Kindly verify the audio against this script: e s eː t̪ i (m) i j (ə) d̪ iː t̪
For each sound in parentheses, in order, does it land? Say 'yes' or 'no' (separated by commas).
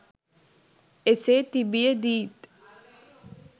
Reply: no, yes